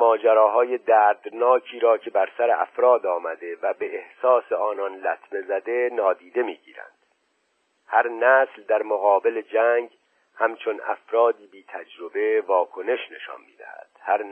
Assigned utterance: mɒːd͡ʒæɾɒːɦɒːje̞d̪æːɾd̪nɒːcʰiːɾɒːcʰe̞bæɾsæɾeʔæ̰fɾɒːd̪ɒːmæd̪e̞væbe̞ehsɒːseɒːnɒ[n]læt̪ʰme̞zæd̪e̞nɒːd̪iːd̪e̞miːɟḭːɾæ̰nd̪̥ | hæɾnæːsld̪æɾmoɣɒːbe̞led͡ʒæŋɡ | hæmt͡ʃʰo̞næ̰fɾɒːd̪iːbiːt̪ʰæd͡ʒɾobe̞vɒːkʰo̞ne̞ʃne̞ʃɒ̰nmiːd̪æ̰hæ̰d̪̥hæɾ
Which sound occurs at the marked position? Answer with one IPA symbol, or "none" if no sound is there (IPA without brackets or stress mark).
n